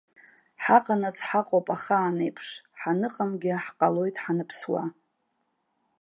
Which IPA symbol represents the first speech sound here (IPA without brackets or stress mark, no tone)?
ħ